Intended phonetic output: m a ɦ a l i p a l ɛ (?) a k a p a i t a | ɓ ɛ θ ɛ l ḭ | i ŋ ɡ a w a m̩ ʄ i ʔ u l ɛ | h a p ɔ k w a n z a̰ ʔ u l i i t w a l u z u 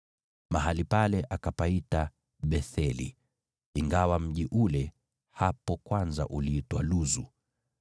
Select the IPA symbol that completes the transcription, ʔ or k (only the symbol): ʔ